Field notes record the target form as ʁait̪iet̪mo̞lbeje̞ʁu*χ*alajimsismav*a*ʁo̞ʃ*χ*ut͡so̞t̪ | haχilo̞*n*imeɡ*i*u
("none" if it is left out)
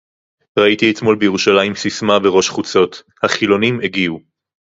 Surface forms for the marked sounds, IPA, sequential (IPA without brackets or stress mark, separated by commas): ʃ, e, χ, n, i